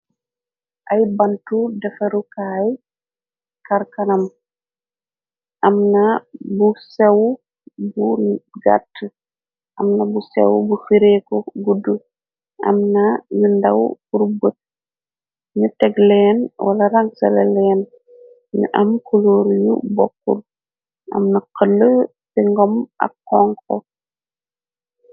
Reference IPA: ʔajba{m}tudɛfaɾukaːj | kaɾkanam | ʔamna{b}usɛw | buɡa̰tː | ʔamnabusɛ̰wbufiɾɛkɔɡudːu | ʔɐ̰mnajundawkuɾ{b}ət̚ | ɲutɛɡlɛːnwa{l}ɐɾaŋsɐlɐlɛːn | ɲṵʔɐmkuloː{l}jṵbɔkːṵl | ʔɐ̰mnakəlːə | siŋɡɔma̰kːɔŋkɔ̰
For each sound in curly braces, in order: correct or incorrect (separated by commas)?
incorrect, correct, correct, correct, incorrect